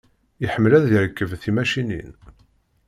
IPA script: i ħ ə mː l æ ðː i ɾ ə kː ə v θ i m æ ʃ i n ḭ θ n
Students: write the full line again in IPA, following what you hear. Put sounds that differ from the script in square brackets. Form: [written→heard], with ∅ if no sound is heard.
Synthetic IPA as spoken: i ħ ə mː l æ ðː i ɾ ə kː ə v θ i m æ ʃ i n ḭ [θ→∅] n